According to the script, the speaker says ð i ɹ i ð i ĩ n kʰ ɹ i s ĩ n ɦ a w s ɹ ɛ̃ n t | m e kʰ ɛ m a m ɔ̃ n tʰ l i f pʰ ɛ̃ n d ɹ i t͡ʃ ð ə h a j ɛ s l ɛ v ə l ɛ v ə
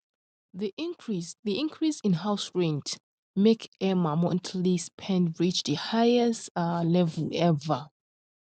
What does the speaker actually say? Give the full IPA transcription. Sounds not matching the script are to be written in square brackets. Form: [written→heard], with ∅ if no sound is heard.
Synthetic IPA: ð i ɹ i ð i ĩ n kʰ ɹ i s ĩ n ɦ a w s ɹ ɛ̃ n t | m e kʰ ɛ m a m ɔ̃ n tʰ l i [f→s] pʰ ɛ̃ n d ɹ i t͡ʃ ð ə h a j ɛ s l ɛ v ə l ɛ v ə

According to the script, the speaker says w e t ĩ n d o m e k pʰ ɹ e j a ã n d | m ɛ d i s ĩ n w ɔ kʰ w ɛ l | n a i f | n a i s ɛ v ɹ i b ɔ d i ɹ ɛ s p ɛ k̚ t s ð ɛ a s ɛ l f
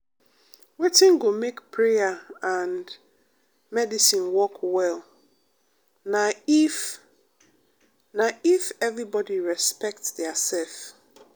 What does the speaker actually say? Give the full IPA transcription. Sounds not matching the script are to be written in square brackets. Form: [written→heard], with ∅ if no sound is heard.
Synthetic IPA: w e t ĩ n [d→ɡ] o m e k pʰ ɹ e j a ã n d | m ɛ d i s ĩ n w ɔ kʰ w ɛ l | n a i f | n a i [s→f] ɛ v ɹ i b ɔ d i ɹ ɛ s p ɛ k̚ t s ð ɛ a s ɛ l f

